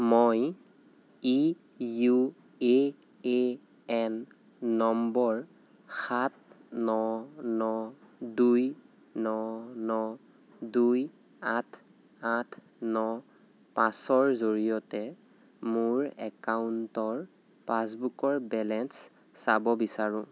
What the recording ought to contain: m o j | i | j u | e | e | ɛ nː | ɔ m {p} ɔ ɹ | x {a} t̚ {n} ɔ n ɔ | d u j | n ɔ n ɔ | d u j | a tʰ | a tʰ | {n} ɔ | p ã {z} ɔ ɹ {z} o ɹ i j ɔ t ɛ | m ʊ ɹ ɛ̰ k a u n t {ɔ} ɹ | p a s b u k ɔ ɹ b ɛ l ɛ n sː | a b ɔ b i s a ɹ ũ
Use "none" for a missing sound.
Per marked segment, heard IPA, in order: b, a, n, n, s, z, ɔ

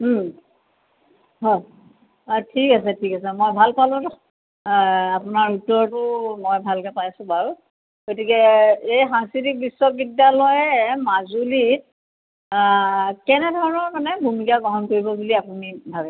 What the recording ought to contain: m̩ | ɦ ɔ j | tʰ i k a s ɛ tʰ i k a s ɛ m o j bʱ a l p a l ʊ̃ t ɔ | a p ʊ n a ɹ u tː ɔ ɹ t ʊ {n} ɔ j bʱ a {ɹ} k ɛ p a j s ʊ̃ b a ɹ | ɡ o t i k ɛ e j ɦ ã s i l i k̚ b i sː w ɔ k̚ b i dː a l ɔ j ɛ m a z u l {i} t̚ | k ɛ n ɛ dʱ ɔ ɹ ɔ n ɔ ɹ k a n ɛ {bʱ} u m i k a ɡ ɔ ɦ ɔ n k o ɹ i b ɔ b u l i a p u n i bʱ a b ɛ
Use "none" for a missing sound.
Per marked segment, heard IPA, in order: m, l, i, bʱ

